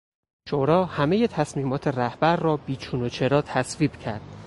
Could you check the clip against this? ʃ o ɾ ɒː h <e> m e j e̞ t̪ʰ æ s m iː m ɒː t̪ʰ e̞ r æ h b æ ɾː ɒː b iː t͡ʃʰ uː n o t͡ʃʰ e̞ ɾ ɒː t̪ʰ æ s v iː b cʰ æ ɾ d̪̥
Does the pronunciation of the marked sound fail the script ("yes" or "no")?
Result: yes